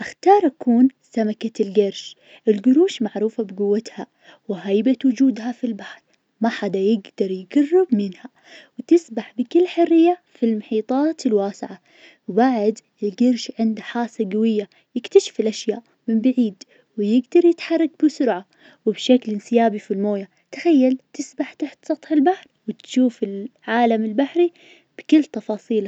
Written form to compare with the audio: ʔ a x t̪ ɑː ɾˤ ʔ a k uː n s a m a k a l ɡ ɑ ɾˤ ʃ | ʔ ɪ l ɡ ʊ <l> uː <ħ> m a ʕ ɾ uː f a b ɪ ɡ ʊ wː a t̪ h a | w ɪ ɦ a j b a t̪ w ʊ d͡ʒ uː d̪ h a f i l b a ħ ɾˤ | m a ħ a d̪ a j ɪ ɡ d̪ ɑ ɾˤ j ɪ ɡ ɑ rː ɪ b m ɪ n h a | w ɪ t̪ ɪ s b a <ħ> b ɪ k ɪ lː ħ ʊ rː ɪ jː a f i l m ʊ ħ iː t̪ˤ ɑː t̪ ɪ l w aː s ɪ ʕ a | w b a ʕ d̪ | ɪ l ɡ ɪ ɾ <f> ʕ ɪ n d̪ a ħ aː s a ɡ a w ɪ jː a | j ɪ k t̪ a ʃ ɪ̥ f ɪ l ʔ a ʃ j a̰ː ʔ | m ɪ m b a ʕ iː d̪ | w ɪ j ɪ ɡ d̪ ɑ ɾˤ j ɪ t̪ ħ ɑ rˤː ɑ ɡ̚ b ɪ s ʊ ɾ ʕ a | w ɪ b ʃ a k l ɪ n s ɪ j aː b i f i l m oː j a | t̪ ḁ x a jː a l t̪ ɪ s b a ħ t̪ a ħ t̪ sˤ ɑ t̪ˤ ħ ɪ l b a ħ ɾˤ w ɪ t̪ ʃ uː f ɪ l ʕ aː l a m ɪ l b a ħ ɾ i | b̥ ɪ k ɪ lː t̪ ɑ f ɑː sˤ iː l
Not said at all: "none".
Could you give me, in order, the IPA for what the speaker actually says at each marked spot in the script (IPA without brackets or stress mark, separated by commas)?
ɾ, ʃ, ħ, ʃ